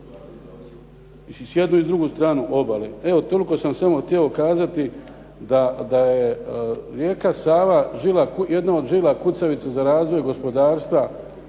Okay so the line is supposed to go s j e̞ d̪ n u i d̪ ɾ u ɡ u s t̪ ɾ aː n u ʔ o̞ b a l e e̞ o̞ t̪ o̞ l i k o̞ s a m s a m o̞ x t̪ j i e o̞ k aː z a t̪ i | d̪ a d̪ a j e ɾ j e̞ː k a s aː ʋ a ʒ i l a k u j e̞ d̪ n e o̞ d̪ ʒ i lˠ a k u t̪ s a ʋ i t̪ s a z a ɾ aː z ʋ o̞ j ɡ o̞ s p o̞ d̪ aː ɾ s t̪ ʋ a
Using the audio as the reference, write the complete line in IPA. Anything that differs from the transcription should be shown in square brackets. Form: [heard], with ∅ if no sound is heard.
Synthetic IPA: s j e̞ d̪ n u i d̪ ɾ u ɡ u s t̪ ɾ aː n u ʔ o̞ b a l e e̞ o̞ t̪ o̞ l i k o̞ s a m s a m o̞ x t̪ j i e o̞ k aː z a t̪ i | d̪ a d̪ a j e ɾ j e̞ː k a s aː ʋ a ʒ i l a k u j e̞ d̪ n [a] o̞ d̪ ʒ i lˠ a k u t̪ s a ʋ i t̪ s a z a ɾ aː z ʋ o̞ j ɡ o̞ s p o̞ d̪ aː ɾ s t̪ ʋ a